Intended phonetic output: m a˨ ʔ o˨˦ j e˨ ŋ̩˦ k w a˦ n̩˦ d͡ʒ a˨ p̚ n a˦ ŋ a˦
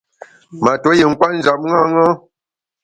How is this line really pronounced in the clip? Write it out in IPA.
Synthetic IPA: m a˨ t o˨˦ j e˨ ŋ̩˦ k w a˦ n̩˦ d͡ʒ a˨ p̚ ŋ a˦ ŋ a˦